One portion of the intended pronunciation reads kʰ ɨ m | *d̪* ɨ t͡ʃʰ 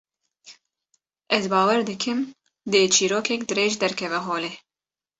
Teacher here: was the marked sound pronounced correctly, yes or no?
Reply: yes